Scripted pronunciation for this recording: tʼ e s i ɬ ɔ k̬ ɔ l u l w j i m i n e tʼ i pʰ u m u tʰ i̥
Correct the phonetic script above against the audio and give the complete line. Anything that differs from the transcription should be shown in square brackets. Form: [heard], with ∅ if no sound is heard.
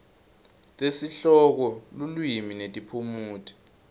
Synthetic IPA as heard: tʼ e s i ɬ ɔ k̬ ɔ l u l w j i m i n e tʼ i pʰ u m [uː] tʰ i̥